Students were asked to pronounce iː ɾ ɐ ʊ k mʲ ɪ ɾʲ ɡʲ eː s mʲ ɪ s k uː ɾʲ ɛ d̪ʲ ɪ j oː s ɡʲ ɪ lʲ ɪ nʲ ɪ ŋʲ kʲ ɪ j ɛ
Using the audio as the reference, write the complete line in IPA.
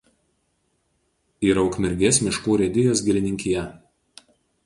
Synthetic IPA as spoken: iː ɾ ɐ ʊ k mʲ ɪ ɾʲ ɡʲ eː s mʲ ɪ ʃ k uː ɾʲ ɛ d̪ʲ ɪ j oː s ɡʲ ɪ lʲ ɪ nʲ ɪ ŋʲ kʲ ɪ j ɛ

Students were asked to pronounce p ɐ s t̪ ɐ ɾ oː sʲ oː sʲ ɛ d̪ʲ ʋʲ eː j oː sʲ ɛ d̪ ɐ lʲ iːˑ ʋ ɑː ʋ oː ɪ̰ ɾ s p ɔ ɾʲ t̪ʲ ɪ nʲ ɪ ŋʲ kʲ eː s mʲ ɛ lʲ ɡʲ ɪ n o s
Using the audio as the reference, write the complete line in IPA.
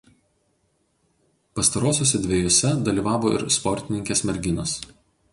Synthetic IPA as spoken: p ɐ s t̪ ɐ ɾ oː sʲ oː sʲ ɛ d̪ʲ ʋʲ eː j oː sʲ ɛ d̪ ɐ lʲ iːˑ ʋ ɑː ʋ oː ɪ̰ ɾ s p ɔ ɾʲ t̪ʲ ɪ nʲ ɪ ŋʲ kʲ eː s mʲ ɛ ɾʲ ɡʲ ɪ n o s

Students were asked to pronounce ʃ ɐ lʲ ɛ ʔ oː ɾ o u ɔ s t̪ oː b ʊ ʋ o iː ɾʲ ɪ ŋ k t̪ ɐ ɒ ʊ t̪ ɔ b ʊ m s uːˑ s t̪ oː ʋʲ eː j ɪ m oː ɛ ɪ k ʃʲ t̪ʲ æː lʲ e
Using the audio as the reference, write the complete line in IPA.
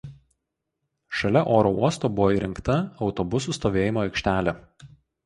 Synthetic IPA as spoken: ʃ ɐ lʲ ɛ ʔ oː ɾ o u ɔ s t̪ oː b ʊ ʋ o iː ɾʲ ɪ ŋ k t̪ ɐ ɒ ʊ t̪ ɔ b ʊ s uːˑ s t̪ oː ʋʲ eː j ɪ m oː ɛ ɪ k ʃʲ t̪ʲ æː lʲ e

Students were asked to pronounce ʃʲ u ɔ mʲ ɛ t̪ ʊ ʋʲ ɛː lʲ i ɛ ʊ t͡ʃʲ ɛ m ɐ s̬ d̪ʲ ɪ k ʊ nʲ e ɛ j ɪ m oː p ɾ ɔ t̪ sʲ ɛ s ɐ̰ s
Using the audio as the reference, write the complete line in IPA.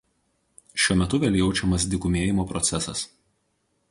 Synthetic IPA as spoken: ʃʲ u ɔ mʲ ɛ t̪ ʊ ʋʲ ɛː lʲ j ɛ ʊ t͡ʃʲ ɛ m ɐ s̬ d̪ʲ ɪ k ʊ mʲ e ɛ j ɪ m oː p ɾ ɔ t̪ sʲ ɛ s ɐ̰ s

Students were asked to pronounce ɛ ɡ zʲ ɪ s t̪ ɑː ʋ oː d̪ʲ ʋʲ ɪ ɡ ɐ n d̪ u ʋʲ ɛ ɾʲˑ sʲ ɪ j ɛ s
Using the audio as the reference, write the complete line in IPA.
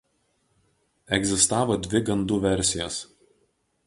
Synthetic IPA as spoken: ɛ ɡ zʲ ɪ s t̪ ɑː ʋ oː d̪ʲ ʋʲ ɪ ɡ ɐ n d̪ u ʋʲ ɛ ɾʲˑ sʲ ɪ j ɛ s

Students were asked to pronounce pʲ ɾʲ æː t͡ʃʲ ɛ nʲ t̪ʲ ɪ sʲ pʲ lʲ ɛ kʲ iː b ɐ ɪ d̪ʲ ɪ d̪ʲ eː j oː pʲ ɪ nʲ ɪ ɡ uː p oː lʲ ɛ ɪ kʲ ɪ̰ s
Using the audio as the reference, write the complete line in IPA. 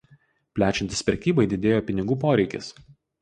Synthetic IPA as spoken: pʲ lʲ æː t͡ʃʲ ɛ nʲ t̪ʲ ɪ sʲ pʲ ɾʲ ɛ kʲ iː b ɐ ɪ d̪ʲ ɪ d̪ʲ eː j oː pʲ ɪ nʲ ɪ ɡ uː p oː ɾʲ ɛ ɪ kʲ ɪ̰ s

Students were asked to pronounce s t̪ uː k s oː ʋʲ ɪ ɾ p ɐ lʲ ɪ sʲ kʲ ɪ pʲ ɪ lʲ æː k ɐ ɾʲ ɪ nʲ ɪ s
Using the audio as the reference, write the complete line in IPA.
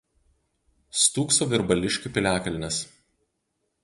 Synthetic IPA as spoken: s t̪ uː k s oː ʋʲ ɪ ɾ b ɐ lʲ ɪ ʃʲ kʲ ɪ pʲ ɪ lʲ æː k ɐ lʲ ɪ nʲ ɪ s

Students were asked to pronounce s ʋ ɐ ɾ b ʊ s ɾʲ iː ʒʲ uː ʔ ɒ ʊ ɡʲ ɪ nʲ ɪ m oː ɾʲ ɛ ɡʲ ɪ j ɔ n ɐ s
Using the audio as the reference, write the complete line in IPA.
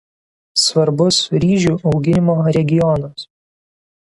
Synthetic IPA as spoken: s ʋ ɐ ɾ b ʊ s ɾʲ iː ʒʲ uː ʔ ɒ ʊ ɡʲ ɪ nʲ ɪ m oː ɾʲ ɛ ɡʲ ɪ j ɔ n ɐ s

